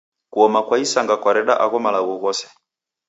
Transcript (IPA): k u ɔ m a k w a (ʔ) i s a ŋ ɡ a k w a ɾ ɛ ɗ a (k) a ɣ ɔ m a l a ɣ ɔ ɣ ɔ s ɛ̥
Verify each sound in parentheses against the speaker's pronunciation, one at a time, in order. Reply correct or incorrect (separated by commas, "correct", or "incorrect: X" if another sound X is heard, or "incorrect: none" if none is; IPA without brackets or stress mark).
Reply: incorrect: none, incorrect: ʔ